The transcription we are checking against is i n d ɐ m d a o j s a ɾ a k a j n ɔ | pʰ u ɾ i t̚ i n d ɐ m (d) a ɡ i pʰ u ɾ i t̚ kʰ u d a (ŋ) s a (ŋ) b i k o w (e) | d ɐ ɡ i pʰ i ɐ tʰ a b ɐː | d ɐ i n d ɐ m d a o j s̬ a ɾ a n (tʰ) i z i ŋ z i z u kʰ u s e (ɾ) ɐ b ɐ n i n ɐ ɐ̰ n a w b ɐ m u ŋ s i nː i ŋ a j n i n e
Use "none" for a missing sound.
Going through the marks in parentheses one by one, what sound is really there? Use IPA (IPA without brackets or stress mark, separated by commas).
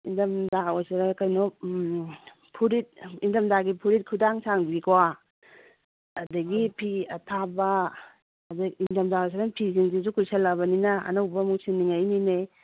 d, ŋ, ŋ, a, pʰ, l